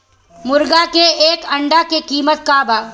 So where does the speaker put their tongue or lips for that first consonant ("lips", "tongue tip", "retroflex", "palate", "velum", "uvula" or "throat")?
lips